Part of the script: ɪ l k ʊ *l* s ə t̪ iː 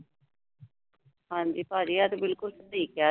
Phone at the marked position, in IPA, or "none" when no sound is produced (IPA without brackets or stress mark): l